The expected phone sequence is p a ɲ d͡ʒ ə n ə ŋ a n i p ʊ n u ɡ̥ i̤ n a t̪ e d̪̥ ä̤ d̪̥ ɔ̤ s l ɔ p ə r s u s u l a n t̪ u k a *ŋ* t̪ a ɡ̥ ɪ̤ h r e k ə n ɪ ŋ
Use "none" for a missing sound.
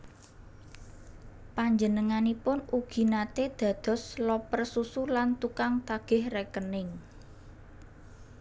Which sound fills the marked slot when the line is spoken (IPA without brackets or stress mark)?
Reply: ŋ